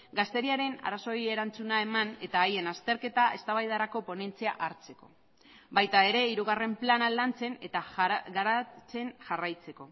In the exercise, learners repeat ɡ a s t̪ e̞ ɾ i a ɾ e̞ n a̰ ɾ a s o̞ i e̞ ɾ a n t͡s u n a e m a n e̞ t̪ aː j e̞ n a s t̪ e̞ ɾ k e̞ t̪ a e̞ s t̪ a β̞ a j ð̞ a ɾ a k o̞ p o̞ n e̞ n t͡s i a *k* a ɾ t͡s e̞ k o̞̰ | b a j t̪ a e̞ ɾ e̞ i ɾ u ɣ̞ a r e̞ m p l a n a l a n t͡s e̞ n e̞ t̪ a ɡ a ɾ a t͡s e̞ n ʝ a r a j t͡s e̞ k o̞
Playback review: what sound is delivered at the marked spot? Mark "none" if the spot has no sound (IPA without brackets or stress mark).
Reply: ʔ